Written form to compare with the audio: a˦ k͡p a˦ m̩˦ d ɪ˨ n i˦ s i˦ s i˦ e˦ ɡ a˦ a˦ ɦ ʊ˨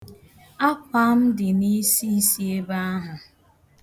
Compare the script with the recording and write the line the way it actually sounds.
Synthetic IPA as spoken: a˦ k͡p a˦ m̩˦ d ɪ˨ n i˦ s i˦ s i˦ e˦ b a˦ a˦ ɦ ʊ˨